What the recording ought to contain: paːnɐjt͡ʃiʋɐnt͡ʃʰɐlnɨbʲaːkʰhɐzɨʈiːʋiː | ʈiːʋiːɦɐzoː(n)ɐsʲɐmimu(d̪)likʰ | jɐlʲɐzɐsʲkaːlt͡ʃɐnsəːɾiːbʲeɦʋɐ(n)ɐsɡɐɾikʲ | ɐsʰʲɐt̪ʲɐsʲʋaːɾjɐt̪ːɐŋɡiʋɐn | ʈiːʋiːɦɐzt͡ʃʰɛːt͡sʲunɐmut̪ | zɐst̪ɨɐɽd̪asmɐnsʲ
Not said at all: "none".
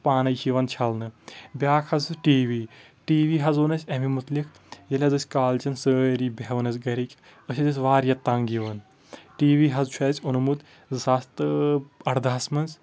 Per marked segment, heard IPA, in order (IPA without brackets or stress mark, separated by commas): n, t̪, n